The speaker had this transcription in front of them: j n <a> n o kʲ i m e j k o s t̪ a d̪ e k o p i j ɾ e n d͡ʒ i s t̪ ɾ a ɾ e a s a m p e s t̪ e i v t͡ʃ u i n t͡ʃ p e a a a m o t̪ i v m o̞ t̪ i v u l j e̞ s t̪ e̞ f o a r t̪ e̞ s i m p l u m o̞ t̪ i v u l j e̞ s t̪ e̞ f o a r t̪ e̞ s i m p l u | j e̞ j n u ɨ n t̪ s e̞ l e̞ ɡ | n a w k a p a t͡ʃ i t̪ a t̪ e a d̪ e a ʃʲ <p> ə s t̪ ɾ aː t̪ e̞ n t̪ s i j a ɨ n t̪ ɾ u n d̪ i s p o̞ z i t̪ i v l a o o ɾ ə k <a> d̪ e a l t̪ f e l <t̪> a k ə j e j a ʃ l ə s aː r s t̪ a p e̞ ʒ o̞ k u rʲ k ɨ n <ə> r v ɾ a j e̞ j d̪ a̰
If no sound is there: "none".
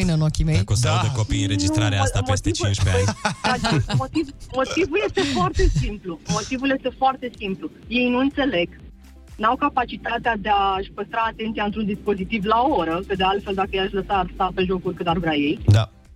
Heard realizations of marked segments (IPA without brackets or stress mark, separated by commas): ə, p, ə, d̪, a